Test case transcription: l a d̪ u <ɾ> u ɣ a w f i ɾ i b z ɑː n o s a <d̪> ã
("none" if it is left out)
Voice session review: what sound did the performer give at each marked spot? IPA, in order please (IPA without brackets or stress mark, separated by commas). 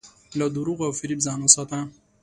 ɾ, t̪